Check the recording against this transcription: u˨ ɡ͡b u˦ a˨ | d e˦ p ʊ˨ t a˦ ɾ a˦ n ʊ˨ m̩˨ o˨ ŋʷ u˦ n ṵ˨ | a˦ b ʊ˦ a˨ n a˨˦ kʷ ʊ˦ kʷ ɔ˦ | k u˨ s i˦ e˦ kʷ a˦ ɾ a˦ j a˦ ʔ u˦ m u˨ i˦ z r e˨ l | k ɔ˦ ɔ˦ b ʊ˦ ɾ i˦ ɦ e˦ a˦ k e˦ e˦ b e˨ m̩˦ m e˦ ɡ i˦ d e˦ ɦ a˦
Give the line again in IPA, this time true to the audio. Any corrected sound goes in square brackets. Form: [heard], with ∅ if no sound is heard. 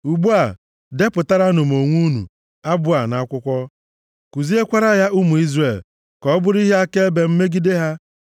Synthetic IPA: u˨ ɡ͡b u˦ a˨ | d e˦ p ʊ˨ t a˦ ɾ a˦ n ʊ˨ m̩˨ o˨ ŋʷ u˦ n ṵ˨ | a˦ b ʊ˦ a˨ n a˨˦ kʷ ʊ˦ kʷ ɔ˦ | k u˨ [z] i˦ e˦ kʷ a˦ ɾ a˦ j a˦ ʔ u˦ m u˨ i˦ z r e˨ l | k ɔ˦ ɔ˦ b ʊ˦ ɾ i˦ ɦ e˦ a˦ k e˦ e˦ b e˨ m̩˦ m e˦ ɡ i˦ d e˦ ɦ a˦

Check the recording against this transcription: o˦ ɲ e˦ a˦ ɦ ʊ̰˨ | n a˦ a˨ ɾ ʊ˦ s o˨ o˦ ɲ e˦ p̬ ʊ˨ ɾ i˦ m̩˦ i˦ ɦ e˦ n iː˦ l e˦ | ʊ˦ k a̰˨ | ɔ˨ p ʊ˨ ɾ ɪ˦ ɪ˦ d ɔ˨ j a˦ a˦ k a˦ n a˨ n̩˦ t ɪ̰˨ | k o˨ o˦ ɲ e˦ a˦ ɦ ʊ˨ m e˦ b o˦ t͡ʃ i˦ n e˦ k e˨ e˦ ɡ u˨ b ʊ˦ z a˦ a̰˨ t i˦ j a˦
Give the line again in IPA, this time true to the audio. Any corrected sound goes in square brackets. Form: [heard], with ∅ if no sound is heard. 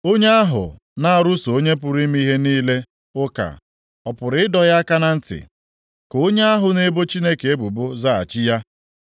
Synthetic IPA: o˦ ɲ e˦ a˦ ɦ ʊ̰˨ | n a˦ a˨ ɾ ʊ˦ s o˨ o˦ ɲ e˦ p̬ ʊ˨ ɾ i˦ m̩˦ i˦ ɦ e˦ n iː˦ l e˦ | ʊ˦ k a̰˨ | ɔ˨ p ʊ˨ ɾ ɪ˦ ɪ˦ d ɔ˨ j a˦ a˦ k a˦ n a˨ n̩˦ t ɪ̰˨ | k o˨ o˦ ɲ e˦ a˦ ɦ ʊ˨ [n] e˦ b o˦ t͡ʃ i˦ n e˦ k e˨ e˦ [b] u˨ b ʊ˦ z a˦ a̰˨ [t͡ʃ] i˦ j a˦

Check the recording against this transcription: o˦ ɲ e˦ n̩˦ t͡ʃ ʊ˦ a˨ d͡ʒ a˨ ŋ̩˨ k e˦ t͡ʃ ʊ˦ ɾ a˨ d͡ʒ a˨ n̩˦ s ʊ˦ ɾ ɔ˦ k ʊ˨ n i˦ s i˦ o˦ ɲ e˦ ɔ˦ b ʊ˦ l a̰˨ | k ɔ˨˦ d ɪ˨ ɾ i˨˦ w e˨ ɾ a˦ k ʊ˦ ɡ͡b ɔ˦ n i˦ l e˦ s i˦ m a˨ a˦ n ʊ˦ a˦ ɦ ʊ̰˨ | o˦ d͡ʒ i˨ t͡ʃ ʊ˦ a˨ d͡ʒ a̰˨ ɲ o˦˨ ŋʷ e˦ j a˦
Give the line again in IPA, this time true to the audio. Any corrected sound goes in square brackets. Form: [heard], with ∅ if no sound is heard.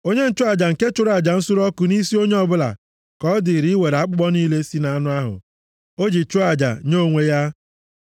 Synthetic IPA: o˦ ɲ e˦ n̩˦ t͡ʃ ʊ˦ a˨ d͡ʒ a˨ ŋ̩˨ k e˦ t͡ʃ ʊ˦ ɾ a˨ d͡ʒ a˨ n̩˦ s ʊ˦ ɾ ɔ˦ k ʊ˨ n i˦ s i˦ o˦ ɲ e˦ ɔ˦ b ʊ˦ l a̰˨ | k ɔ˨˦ d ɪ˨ ɾ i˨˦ w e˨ ɾ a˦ [k͡p] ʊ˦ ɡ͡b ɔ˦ n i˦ l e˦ s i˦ [n] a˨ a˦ n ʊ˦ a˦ ɦ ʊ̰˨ | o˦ d͡ʒ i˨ t͡ʃ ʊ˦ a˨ d͡ʒ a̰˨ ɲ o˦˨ ŋʷ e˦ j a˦

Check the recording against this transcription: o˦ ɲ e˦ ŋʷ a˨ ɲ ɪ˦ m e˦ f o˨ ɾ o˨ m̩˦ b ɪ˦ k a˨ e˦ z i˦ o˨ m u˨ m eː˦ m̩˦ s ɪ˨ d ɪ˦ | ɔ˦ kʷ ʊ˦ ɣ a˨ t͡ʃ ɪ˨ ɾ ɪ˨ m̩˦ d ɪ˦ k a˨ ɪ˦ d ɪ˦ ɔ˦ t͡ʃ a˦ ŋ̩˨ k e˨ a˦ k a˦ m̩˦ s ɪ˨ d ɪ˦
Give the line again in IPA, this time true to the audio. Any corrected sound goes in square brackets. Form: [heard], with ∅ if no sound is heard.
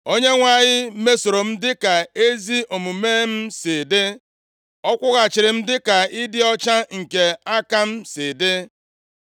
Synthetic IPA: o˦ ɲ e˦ ŋʷ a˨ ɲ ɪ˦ m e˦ [s] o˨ ɾ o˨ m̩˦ [d] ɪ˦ k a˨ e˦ z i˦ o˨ m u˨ m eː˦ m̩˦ s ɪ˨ d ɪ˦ | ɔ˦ kʷ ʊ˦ ɣ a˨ t͡ʃ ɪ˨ ɾ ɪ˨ m̩˦ d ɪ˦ k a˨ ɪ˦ d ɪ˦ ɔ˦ t͡ʃ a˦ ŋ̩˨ k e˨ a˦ k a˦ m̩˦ s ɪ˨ d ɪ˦

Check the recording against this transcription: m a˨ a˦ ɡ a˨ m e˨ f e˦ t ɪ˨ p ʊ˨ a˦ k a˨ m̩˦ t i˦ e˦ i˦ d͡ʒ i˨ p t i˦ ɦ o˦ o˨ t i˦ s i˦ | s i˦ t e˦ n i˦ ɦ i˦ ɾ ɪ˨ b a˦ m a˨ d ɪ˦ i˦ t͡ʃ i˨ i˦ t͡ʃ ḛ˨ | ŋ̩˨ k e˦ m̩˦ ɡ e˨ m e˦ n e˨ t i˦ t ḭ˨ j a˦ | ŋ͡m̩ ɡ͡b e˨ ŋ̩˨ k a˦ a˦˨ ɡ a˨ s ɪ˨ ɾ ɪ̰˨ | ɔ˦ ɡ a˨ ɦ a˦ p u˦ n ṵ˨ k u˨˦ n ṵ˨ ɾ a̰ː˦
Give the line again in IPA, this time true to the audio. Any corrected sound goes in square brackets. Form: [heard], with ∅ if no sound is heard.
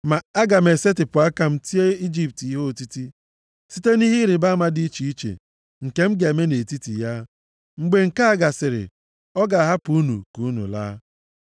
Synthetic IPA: m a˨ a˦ ɡ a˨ m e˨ [s] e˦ t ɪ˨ p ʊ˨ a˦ k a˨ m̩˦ t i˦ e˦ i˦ d͡ʒ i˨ p t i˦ ɦ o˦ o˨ t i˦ [t] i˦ | s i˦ t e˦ n i˦ ɦ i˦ ɾ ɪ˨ b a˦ m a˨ d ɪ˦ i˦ t͡ʃ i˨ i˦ t͡ʃ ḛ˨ | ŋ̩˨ k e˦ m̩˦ ɡ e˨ m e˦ n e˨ t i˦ t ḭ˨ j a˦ | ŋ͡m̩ ɡ͡b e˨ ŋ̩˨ k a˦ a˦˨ ɡ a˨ s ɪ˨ ɾ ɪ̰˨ | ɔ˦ ɡ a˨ ɦ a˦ p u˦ n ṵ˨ k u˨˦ n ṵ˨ [l] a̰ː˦

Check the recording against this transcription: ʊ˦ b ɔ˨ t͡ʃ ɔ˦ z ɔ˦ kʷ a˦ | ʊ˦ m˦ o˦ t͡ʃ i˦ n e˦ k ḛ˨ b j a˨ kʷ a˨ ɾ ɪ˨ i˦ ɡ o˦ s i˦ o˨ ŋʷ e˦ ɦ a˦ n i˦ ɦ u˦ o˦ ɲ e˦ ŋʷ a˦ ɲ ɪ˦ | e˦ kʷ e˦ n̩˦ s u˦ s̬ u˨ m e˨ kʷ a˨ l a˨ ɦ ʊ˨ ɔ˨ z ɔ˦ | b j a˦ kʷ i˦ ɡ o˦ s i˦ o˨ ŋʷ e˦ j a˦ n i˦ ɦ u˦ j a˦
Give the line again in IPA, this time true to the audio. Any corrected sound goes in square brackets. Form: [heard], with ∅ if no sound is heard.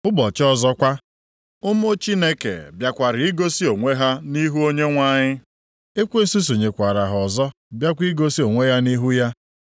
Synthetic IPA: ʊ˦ b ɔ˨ t͡ʃ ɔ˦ z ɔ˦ kʷ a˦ | ʊ˦ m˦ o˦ t͡ʃ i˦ n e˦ k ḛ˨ b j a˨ kʷ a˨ ɾ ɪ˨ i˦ ɡ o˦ s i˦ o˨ ŋʷ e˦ ɦ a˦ n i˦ ɦ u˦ o˦ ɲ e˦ ŋʷ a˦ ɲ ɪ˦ | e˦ kʷ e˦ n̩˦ s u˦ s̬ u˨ [ɲ] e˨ kʷ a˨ [ɾ] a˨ ɦ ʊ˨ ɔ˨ z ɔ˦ | b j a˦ kʷ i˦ ɡ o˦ s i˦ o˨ ŋʷ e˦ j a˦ n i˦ ɦ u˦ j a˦

